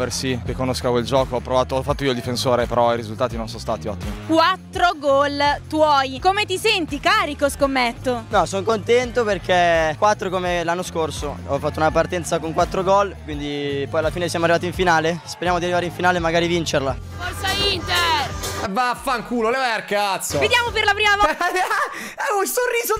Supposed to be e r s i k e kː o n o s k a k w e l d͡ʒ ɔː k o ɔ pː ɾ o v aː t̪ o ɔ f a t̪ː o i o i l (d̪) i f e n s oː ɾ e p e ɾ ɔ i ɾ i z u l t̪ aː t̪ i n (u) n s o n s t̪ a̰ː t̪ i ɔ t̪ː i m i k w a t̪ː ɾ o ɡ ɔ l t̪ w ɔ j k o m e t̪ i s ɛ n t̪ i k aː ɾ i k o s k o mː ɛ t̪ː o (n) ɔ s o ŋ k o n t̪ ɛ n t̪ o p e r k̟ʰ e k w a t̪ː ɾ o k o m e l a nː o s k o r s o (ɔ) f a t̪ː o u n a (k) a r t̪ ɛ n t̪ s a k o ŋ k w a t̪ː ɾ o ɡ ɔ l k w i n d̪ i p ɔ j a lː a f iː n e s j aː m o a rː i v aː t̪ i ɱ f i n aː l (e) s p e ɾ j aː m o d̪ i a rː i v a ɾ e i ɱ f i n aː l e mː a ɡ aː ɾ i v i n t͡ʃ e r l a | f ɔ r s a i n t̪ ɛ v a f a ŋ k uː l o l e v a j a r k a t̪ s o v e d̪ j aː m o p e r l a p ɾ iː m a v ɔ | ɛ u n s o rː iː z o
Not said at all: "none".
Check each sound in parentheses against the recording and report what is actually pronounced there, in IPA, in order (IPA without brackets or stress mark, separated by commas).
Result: d̪, o, n, ɔ, p, e